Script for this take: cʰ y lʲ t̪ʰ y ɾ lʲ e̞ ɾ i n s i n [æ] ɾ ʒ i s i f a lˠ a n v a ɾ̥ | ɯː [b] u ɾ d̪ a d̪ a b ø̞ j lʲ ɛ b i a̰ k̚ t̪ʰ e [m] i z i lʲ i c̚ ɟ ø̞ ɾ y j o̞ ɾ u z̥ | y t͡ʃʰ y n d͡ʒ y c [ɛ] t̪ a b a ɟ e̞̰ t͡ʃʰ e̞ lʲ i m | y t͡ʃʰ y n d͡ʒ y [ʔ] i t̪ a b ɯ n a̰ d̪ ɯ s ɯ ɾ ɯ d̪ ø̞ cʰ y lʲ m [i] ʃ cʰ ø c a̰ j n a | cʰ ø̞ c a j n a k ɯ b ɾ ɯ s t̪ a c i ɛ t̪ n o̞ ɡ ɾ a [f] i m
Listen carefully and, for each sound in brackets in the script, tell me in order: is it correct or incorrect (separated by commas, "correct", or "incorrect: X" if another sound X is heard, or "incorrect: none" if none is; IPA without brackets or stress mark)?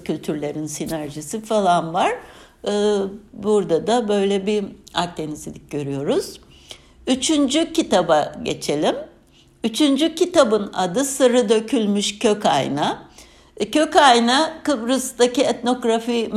correct, correct, incorrect: n, incorrect: i, incorrect: c, incorrect: y, correct